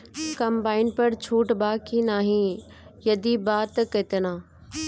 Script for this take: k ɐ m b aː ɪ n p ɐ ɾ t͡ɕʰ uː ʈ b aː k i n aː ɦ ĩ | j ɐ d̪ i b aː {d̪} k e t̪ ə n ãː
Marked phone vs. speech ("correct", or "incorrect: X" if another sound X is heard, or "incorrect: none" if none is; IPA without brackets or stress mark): incorrect: t̪